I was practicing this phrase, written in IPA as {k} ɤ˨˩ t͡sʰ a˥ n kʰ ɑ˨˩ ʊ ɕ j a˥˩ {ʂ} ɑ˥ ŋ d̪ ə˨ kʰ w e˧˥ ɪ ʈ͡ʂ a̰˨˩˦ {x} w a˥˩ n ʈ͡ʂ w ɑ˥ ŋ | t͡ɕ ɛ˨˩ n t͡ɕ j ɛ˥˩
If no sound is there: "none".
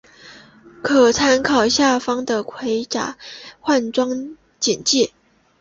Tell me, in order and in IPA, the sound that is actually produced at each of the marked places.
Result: kʰ, f, x

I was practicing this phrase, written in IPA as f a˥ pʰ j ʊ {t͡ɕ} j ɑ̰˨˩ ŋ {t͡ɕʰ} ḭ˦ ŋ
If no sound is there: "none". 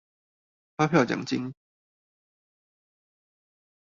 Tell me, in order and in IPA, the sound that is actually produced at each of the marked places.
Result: t͡ɕ, t͡ɕ

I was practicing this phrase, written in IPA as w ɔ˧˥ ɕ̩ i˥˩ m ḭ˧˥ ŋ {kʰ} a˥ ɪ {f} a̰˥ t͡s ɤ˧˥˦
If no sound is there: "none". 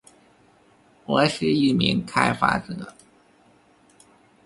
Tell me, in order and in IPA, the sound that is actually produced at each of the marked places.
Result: kʰ, f

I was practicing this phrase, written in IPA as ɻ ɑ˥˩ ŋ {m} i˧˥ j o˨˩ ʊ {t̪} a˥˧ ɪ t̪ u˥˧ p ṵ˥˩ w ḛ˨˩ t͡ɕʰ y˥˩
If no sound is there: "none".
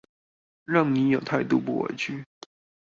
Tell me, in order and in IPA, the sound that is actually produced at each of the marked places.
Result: n, t̪ʰ

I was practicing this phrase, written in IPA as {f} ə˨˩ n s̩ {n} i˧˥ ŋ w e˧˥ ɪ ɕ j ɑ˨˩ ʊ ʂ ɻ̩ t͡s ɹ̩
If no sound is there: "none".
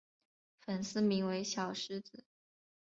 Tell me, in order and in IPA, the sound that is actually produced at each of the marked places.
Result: f, m

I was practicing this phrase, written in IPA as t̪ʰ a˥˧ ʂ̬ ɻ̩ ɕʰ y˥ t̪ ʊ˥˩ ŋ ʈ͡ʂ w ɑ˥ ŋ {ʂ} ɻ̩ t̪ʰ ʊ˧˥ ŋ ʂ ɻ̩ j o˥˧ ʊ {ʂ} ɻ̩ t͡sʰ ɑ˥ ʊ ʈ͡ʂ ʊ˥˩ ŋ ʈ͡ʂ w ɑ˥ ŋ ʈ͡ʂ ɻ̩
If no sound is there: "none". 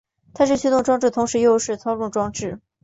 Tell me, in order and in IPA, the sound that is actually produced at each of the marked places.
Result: ʈ͡ʂ, ʂ

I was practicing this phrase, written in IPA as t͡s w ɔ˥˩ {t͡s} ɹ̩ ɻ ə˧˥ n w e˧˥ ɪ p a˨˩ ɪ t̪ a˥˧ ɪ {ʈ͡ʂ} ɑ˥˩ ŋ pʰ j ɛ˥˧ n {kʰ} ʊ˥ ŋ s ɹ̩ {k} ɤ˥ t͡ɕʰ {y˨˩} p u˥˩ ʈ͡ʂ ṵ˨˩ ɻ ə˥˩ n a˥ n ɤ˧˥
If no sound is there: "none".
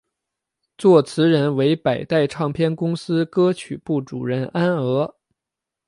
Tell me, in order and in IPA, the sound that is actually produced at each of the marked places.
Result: t͡sʰ, ʈ͡ʂʰ, k, k, y˨˩

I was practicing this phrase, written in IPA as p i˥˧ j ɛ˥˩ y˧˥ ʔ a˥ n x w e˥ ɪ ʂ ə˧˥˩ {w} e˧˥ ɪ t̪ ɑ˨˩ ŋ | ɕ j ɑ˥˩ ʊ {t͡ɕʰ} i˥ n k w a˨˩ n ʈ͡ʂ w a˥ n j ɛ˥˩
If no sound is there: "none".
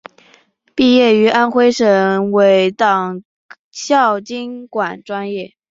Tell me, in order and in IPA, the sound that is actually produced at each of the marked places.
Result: w, t͡ɕ

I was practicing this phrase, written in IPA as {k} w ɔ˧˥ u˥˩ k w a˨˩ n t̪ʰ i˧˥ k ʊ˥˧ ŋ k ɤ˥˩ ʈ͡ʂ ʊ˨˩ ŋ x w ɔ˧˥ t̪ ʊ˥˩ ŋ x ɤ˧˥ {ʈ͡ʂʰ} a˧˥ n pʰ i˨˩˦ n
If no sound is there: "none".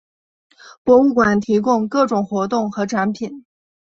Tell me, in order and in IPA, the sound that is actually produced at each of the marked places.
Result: p, ʈ͡ʂʰ

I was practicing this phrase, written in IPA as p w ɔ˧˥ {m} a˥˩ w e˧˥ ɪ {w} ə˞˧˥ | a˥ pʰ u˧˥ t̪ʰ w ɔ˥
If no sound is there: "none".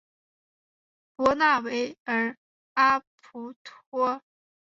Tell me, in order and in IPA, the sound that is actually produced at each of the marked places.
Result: n, none

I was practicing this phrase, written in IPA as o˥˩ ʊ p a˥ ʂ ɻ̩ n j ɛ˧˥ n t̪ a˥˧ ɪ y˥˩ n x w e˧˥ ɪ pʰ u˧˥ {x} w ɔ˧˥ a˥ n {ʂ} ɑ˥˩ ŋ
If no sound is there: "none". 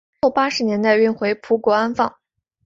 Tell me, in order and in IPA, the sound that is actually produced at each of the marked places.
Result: k, f

